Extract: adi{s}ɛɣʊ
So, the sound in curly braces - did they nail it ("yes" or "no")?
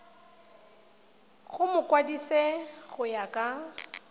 yes